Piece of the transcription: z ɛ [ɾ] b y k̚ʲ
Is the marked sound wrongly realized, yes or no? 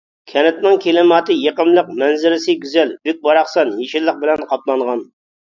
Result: yes